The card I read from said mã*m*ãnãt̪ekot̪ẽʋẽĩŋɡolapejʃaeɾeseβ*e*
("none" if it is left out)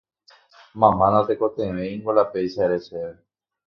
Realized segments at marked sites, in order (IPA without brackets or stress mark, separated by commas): m, e